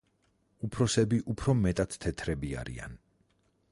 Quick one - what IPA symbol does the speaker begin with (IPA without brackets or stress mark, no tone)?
u